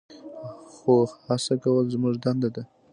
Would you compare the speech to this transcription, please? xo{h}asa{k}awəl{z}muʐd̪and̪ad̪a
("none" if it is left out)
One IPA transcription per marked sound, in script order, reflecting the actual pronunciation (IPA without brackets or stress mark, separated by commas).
h, k, z